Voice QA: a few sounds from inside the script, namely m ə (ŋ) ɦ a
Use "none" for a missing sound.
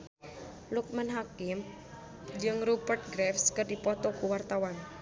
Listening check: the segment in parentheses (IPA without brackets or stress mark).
n